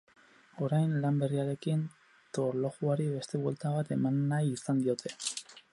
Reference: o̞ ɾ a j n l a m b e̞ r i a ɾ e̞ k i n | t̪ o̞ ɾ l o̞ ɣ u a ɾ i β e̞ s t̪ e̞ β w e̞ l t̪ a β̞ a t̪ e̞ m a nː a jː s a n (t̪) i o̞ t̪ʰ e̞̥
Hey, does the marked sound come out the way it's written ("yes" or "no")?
no